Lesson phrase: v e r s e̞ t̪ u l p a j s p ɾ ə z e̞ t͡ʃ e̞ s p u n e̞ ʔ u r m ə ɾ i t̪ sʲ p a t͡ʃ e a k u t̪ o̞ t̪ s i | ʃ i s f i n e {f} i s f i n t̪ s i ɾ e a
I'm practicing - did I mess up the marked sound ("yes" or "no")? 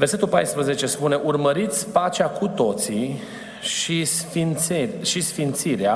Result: yes